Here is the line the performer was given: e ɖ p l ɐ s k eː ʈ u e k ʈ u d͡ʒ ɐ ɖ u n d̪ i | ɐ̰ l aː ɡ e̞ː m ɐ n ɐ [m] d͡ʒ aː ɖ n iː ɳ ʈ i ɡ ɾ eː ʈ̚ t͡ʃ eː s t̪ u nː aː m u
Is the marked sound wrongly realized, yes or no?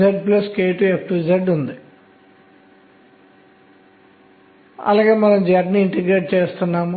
no